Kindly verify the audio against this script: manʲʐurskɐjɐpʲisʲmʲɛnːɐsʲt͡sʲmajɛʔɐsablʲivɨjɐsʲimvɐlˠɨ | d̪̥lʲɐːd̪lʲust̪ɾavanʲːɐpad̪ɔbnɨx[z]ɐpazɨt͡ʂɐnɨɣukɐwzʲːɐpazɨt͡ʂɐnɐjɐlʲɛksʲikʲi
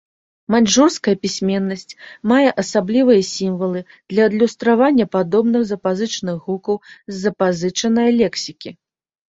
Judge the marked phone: correct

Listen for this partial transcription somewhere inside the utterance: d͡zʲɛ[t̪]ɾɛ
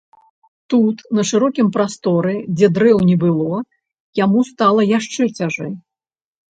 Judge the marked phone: incorrect: d̪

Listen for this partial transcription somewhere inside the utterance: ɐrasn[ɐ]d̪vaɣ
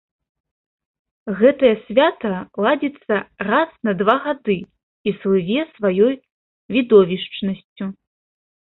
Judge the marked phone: correct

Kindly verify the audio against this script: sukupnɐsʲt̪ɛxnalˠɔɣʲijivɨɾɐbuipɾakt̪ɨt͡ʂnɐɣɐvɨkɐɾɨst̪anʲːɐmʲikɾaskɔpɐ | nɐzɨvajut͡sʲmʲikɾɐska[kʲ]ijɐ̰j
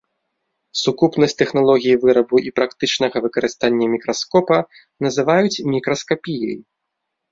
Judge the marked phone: incorrect: pʲ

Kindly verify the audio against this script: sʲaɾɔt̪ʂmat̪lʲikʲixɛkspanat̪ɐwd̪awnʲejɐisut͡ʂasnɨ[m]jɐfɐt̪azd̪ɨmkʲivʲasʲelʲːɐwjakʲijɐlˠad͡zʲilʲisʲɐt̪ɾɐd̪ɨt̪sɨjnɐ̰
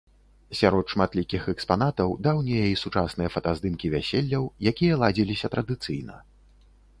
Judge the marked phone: incorrect: none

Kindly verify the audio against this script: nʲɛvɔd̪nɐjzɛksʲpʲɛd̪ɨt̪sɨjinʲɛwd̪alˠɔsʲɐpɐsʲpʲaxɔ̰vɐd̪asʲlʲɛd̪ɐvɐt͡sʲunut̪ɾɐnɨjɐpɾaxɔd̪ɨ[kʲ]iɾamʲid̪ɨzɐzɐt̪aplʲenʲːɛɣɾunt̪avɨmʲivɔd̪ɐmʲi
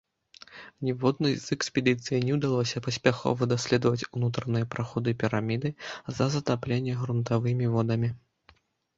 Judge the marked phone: incorrect: pʲ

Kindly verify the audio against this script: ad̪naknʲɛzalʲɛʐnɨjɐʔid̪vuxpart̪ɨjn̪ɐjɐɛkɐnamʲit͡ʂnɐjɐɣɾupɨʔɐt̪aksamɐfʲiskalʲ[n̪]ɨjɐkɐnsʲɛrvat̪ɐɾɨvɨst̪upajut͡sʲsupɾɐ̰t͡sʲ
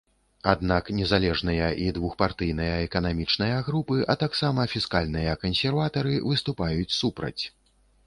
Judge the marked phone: correct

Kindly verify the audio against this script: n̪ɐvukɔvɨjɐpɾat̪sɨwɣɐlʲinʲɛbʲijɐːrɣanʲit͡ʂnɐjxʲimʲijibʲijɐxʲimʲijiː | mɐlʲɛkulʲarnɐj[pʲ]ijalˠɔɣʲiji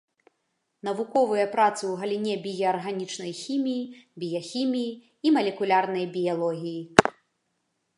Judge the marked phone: incorrect: bʲ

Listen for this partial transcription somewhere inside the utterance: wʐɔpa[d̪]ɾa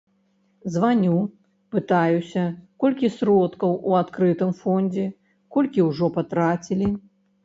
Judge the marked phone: incorrect: t̪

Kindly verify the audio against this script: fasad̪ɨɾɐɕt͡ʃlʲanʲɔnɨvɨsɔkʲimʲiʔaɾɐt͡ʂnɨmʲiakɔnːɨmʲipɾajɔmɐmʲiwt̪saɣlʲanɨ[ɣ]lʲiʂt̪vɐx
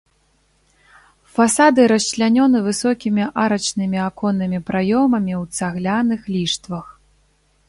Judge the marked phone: incorrect: x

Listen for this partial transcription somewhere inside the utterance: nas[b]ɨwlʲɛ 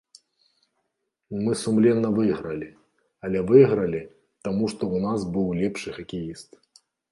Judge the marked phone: correct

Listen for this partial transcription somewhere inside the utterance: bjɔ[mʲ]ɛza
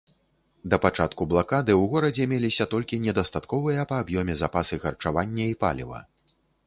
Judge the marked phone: correct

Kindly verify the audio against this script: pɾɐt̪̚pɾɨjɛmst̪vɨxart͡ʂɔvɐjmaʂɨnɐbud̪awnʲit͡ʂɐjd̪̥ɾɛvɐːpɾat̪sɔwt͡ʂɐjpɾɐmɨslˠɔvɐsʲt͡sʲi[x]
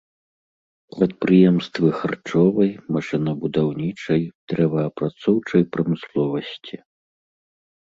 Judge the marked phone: incorrect: none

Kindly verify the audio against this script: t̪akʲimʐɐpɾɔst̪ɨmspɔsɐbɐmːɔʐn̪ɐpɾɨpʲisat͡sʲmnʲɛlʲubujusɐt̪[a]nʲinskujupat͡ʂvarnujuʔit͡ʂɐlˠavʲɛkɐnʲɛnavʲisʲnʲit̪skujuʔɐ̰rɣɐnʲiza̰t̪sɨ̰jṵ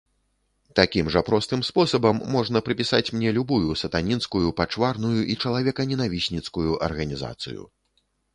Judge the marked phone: correct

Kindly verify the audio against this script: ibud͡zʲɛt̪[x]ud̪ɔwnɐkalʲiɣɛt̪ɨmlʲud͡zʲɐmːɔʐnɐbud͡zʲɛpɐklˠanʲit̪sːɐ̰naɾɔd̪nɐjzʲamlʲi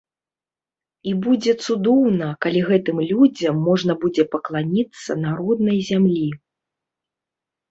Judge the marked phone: incorrect: s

